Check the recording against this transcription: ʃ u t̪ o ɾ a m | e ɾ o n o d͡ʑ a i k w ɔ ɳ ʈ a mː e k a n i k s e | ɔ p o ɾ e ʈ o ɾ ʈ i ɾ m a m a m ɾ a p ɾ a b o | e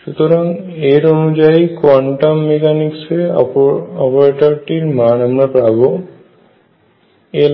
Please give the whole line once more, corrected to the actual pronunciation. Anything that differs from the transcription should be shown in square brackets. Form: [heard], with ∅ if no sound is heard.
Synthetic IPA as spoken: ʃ u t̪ o ɾ a [ŋ] | e ɾ o n [u] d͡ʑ a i k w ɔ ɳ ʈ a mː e k a n i k s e | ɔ p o ɾ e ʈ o ɾ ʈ i ɾ m a [n] a m ɾ a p ɾ a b o | e

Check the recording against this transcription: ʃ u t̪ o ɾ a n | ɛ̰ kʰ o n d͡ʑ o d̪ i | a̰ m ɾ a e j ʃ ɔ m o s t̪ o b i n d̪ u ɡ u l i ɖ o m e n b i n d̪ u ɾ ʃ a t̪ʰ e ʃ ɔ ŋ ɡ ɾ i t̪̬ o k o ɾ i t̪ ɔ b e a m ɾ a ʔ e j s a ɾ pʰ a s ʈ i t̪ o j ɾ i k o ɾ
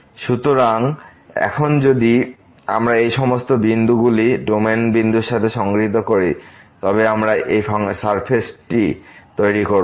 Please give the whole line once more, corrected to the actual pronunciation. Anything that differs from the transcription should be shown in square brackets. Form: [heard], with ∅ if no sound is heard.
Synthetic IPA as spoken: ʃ u t̪ o ɾ a [ŋ] | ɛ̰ kʰ o n d͡ʑ o d̪ i | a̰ m ɾ a e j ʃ ɔ m o s t̪ o b i n d̪ u ɡ u l i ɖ o m e n b i n d̪ u ɾ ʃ a t̪ʰ e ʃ ɔ ŋ ɡ ɾ i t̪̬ o k o ɾ i t̪ ɔ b e a m ɾ a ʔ e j s a ɾ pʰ [e] s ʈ i t̪ o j ɾ i k o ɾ

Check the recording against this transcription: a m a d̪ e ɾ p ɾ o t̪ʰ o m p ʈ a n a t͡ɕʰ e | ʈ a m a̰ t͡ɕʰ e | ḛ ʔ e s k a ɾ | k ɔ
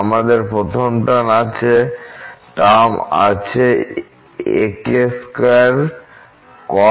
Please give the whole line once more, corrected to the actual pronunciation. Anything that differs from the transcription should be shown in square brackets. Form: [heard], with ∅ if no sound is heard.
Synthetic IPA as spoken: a m a d̪ e ɾ p ɾ o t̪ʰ o m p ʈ a n a t͡ɕʰ e | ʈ a m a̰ t͡ɕʰ e | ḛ [k] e s k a ɾ | k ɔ

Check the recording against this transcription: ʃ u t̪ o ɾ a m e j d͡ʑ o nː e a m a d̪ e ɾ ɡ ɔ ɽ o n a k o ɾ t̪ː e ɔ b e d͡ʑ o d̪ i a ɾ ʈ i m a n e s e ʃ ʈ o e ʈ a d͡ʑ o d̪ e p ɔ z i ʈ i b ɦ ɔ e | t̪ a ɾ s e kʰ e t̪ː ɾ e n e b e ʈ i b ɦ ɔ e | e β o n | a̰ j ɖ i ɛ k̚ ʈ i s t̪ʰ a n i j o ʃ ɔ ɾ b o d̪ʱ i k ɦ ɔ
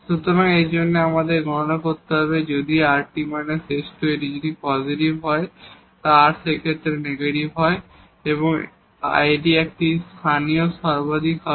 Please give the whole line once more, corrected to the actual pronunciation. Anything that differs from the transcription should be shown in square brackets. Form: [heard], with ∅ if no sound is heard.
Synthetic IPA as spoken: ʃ u t̪ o ɾ a [ŋ] e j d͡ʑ o nː e a m a d̪ e ɾ ɡ ɔ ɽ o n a k o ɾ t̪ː e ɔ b e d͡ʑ o d̪ i a ɾ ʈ i m a n e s e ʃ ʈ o e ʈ [i] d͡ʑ o d̪ [i] p ɔ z i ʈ i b ɦ ɔ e | t̪ a ɾ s e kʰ e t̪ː ɾ e n e [ɡ] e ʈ i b ɦ ɔ e | e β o [ŋ] | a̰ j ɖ i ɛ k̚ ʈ i s t̪ʰ a n i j o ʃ ɔ ɾ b o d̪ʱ i k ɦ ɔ

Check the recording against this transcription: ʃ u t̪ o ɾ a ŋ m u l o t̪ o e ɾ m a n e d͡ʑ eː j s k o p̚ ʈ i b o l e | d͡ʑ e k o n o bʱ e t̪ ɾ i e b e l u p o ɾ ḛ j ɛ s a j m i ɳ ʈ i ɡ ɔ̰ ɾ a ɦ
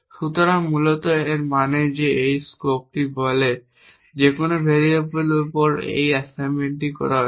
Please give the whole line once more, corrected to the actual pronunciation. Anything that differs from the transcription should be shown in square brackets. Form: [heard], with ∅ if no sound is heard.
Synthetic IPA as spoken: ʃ u t̪ o ɾ a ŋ m u l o t̪ o e ɾ m a n e d͡ʑ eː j s k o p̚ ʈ i b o l e | d͡ʑ e k o n o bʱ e [∅] ɾ i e b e l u p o ɾ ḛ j ɛ s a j m [e] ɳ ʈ i [k] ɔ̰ ɾ a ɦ

